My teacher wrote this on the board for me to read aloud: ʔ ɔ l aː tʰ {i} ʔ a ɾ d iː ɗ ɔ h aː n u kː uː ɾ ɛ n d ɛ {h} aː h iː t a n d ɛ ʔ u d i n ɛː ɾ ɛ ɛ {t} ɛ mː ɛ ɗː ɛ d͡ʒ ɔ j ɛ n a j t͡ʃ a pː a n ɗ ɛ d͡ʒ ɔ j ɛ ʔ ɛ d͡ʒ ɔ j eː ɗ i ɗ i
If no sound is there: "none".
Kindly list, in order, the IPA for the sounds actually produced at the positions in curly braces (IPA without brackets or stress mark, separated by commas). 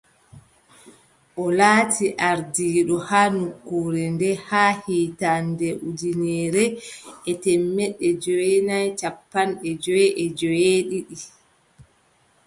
i, h, t